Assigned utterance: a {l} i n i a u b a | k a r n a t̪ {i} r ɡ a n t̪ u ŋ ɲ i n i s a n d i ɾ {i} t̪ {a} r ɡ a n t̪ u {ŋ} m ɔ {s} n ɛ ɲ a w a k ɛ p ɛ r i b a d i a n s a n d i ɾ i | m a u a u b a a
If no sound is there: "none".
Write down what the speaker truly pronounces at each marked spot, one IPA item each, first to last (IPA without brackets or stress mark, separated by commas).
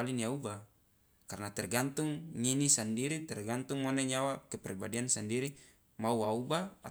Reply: l, ɛ, i, ɛ, ŋ, none